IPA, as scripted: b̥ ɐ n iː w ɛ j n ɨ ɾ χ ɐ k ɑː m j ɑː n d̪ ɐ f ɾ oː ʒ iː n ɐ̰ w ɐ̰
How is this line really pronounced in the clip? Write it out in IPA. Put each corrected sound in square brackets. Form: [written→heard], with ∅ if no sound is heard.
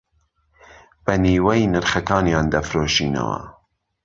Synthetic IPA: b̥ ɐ n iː w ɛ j n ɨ ɾ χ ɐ k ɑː [m→n] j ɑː n d̪ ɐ f ɾ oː [ʒ→ʃ] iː n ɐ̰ w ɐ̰